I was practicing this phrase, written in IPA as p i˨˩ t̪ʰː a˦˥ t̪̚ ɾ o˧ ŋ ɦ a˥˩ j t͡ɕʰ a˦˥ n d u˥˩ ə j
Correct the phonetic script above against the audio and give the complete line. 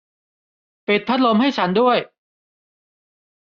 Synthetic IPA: p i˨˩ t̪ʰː a˦˥ t̪̚ l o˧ m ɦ a˥˩ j t͡ɕʰ a˦˥ n d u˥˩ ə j